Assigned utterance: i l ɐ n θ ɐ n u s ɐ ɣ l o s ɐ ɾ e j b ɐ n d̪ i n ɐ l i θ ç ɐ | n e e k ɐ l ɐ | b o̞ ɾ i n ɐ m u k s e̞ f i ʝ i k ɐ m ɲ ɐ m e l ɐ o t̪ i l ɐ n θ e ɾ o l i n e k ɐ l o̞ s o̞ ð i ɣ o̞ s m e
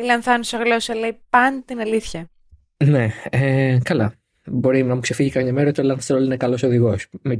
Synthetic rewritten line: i l ɐ n θ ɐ n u s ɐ ɣ l o s ɐ l e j p ɐ n t̪ i n ɐ l i θ ç ɐ | n e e k ɐ l ɐ | b o̞ ɾ i n ɐ m u k s e̞ f i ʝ i k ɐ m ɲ ɐ m e ɾ ɐ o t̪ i l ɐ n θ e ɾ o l i n e k ɐ l o̞ s o̞ ð i ɣ o̞ s m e